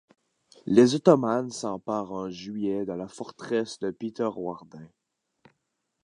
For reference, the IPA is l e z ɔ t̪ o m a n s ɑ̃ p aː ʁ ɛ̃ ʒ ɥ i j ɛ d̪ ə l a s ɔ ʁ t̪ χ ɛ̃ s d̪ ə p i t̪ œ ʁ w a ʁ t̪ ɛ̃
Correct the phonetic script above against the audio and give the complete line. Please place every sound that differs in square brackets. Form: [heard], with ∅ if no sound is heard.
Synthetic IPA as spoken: l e z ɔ t̪ [ɔ] m a n s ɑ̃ p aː ʁ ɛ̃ ʒ ɥ i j ɛ d̪ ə l a [f] ɔ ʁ t̪ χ [ɛ] s d̪ ə p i t̪ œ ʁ w a ʁ [d̪] ɛ̃